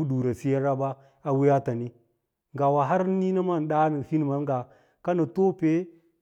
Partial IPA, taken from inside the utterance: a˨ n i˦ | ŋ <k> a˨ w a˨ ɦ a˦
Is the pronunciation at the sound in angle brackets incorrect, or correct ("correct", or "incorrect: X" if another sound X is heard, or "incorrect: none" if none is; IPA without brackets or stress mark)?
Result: incorrect: ɡ